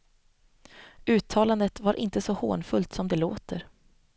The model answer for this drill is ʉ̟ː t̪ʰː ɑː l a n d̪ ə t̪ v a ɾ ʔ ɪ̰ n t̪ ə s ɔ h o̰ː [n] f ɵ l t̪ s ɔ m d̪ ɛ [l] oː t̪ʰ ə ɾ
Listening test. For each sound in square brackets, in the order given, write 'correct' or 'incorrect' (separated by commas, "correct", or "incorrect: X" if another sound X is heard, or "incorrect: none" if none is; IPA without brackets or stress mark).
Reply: correct, correct